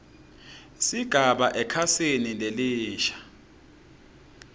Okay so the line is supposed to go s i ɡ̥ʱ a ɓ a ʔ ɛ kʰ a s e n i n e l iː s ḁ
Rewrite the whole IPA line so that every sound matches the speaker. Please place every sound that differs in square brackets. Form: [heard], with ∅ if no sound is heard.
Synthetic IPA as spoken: s i ɡ̥ʱ a ɓ a ʔ ɛ kʰ a s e n i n e l iː [ʃ] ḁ